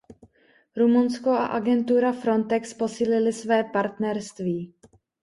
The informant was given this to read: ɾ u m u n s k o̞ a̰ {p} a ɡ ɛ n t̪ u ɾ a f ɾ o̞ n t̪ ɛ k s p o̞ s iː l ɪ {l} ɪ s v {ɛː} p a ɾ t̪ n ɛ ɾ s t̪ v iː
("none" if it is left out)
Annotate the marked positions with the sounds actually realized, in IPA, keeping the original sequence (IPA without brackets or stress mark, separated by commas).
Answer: ʔ, l, ɛː